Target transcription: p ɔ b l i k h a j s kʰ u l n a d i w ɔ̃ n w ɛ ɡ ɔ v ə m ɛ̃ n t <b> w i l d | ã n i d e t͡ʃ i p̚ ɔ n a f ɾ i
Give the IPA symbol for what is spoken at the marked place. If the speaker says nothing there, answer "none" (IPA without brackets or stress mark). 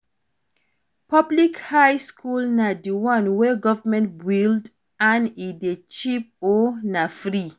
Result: b